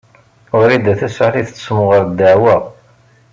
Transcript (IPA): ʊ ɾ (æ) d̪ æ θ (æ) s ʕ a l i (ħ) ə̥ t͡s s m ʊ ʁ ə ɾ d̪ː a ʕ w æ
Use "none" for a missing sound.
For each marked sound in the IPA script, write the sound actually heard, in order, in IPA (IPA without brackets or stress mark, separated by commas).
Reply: i, æ, θ